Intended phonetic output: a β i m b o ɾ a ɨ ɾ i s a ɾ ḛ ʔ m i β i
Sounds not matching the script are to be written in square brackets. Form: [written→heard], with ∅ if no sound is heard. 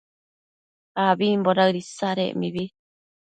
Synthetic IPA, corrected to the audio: a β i m b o ɾ a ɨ ɾ i s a ɾ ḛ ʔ m i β i